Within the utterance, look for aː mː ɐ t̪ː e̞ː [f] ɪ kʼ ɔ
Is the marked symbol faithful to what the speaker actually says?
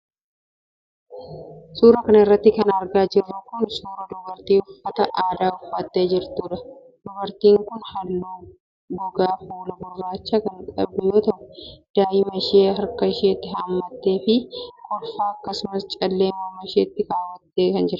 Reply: yes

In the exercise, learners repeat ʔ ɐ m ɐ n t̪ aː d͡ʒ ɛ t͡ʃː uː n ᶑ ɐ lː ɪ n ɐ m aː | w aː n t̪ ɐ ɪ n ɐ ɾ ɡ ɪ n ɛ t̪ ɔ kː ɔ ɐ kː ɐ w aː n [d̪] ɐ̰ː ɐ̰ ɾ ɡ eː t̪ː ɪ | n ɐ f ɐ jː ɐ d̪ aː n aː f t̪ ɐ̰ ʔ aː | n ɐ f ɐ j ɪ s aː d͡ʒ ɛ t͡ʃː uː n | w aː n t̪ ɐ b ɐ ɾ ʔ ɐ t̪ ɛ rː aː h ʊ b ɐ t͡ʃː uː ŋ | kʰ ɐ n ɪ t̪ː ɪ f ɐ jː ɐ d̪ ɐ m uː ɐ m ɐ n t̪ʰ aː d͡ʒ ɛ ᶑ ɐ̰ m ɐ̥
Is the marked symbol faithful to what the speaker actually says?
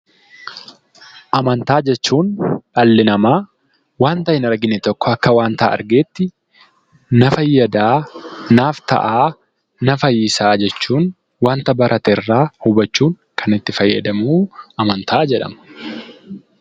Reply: no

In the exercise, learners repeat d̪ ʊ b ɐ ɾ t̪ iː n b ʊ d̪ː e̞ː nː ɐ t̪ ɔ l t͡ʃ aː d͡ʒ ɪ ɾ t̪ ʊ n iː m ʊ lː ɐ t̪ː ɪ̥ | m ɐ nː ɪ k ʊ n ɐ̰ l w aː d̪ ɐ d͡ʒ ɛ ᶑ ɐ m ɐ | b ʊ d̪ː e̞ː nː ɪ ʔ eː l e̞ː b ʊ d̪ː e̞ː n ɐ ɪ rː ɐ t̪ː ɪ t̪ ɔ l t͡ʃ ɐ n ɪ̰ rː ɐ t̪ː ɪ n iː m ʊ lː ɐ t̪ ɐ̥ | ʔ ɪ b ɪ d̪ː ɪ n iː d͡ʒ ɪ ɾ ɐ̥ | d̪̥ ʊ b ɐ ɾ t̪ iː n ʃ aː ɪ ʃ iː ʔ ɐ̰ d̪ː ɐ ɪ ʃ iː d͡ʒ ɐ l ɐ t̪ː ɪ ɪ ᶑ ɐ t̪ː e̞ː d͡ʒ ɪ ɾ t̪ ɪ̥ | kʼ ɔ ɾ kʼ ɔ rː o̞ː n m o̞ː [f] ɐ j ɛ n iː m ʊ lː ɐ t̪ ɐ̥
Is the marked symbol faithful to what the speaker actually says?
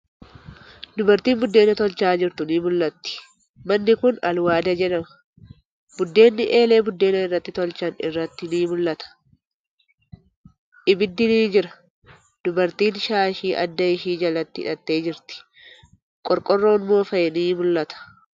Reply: yes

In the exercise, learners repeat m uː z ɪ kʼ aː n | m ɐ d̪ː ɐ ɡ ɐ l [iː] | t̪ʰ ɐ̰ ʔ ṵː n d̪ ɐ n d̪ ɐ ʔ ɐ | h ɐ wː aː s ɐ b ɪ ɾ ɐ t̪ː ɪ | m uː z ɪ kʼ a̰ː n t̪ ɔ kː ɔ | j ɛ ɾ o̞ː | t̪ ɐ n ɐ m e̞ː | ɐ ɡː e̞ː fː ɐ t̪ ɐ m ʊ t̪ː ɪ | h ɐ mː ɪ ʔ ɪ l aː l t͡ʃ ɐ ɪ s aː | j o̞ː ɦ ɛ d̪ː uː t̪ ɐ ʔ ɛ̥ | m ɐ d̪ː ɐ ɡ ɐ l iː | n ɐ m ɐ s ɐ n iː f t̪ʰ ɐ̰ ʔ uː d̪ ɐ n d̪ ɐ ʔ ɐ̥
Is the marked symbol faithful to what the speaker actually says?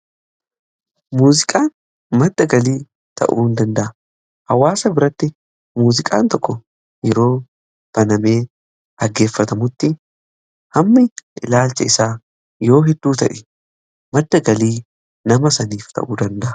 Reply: yes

